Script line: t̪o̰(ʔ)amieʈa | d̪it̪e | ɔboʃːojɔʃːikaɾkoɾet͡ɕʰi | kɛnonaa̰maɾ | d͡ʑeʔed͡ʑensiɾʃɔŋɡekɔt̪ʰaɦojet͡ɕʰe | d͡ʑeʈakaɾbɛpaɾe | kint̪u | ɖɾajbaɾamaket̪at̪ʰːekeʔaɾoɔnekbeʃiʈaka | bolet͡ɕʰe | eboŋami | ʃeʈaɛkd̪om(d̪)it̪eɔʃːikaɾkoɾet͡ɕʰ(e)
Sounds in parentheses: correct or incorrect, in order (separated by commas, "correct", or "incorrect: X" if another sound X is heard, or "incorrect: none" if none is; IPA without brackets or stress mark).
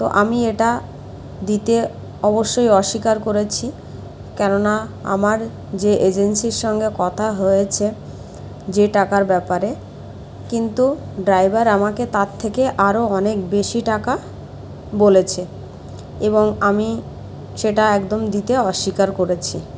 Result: correct, correct, incorrect: i